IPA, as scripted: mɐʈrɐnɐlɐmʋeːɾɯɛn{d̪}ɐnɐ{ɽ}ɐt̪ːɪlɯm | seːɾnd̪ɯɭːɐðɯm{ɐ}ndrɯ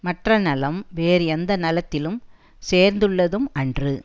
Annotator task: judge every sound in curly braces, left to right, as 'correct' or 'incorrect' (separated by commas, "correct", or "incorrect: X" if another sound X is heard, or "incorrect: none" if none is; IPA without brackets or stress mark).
correct, incorrect: l, correct